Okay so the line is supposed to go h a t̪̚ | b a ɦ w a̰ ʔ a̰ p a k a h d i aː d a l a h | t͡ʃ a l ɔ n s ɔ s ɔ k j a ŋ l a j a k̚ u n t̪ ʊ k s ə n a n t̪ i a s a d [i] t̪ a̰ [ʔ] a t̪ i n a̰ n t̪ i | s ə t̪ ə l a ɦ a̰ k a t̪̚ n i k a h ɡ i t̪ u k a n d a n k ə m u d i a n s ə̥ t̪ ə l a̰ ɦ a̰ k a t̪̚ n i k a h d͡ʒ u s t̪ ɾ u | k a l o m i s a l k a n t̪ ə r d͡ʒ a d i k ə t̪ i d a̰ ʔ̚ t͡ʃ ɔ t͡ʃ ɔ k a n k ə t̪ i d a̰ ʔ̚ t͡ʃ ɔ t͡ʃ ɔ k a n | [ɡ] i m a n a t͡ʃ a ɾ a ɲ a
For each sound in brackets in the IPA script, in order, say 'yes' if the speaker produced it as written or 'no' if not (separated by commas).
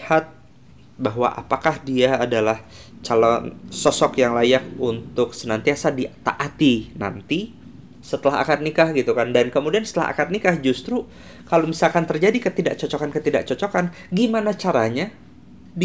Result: yes, yes, yes